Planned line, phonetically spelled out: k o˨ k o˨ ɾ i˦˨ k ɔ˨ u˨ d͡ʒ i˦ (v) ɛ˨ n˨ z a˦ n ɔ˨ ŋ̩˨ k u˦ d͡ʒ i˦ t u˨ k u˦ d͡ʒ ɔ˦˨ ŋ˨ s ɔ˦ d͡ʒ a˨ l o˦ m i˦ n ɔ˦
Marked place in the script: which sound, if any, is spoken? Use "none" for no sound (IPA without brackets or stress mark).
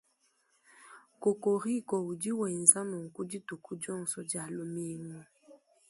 w